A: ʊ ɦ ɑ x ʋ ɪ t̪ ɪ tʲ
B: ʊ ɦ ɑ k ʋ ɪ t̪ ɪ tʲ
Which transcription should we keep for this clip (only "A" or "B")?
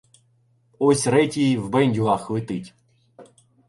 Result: A